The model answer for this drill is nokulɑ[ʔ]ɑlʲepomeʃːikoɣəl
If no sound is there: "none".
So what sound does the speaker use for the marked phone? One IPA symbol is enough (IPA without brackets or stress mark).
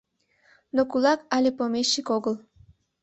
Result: k